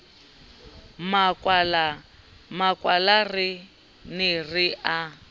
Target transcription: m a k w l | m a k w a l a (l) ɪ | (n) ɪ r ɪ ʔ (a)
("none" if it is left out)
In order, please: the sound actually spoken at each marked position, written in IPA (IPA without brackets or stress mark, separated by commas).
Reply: r, n, a